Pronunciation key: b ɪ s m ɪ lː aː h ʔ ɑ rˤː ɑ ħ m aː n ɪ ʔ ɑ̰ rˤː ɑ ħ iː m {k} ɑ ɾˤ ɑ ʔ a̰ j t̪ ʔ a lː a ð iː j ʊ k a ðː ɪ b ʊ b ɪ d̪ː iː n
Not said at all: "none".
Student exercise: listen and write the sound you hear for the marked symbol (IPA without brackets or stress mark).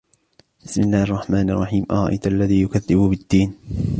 ʔ